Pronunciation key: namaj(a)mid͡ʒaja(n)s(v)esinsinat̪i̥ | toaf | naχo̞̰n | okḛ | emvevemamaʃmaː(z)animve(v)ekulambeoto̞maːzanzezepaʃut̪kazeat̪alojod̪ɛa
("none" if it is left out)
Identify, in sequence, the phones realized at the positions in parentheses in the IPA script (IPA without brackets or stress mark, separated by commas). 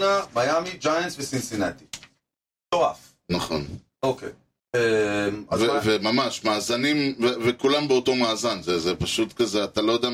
a, n, v, z, v